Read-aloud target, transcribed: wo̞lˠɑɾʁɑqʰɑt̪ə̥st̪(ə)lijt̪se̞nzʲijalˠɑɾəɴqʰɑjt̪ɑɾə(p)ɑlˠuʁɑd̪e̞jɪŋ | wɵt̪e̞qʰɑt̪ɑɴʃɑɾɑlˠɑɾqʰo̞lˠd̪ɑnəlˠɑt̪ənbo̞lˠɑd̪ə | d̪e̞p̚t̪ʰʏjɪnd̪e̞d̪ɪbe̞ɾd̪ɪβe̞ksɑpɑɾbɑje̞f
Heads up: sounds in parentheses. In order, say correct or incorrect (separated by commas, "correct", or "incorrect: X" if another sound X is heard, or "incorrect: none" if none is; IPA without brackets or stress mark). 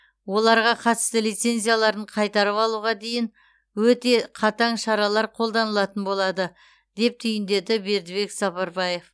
correct, correct